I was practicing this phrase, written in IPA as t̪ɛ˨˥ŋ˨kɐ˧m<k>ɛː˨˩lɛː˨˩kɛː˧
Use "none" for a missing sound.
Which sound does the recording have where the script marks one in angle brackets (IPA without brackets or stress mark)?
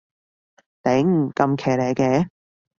kʰ